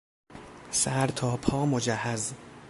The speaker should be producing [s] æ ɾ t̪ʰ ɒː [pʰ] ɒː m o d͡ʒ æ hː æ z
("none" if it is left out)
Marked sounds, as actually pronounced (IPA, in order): s, pʰ

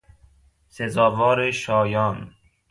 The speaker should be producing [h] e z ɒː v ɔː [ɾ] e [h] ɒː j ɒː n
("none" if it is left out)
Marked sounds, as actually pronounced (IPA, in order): s, ɾ, ʃ

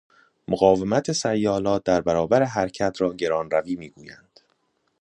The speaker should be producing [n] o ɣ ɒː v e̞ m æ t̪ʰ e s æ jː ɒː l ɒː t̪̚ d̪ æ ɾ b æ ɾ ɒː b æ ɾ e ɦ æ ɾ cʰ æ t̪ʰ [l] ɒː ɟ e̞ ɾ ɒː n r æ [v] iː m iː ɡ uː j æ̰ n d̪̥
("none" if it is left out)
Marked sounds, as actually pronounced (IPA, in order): m, ɾ, v

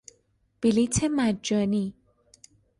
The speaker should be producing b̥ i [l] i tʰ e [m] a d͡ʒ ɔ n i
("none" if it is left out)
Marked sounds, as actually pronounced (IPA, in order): l, m

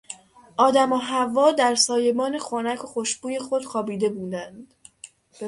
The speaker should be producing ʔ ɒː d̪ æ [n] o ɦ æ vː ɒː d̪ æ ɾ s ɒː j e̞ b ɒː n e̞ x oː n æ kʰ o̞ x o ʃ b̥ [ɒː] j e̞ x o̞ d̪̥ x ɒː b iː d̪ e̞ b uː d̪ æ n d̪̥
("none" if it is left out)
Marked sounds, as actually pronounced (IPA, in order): m, uː

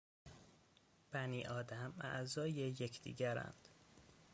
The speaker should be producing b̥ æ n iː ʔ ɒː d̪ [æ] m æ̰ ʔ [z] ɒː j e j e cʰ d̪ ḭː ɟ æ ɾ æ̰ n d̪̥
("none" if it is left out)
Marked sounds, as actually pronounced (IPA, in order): æ, z

